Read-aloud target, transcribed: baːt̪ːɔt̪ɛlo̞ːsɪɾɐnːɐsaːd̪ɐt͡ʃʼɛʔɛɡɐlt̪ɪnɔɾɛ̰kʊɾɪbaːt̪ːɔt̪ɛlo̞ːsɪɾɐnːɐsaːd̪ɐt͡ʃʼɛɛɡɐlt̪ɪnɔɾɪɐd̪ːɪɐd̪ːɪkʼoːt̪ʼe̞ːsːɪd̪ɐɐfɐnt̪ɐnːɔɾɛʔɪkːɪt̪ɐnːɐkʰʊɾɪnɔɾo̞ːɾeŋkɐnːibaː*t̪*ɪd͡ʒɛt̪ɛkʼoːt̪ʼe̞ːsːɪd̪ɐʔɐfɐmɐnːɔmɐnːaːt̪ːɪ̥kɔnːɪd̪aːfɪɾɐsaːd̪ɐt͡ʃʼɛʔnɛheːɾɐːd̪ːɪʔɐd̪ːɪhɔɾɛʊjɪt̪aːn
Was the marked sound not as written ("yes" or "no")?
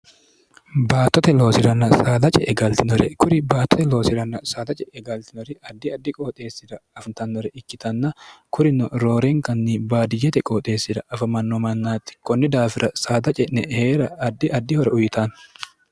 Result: yes